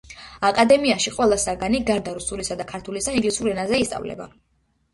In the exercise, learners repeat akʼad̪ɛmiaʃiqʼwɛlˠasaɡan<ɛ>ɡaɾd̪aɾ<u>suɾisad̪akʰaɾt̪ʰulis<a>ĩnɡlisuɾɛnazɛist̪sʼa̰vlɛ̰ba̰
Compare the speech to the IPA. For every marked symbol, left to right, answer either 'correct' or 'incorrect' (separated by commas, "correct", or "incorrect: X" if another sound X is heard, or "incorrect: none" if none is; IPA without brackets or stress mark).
incorrect: i, correct, correct